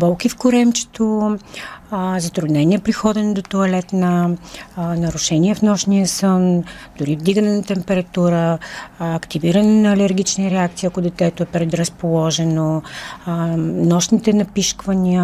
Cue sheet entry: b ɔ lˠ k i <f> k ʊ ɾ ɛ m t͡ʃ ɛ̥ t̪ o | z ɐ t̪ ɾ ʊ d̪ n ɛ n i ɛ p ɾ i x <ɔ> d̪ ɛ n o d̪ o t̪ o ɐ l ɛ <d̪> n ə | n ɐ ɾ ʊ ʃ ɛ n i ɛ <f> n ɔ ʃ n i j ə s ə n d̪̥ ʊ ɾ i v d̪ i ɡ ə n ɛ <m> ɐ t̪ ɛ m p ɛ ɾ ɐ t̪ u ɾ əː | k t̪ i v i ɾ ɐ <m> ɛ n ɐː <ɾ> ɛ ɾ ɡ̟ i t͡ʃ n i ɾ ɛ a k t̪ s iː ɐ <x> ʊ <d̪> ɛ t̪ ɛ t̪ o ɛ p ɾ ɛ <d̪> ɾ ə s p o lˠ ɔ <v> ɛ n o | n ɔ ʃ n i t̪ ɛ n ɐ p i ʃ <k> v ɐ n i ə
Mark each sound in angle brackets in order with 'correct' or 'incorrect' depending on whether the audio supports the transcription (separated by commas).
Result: correct, correct, incorrect, correct, incorrect, incorrect, incorrect, incorrect, correct, correct, incorrect, correct